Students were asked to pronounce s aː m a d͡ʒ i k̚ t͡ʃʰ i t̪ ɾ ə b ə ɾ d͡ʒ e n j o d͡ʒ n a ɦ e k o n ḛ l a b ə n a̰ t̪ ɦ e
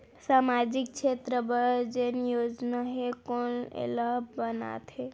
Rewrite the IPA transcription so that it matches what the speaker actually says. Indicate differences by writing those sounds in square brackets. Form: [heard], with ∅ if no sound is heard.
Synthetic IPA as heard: s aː m a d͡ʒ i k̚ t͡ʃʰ [e] t̪ ɾ ə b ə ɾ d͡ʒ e n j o d͡ʒ n a ɦ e k o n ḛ l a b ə n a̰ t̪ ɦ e